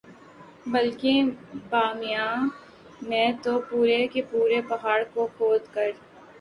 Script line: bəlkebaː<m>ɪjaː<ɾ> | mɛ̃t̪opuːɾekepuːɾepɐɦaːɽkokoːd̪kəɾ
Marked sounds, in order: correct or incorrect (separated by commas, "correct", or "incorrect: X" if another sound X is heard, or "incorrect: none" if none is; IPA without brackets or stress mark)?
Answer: correct, incorrect: none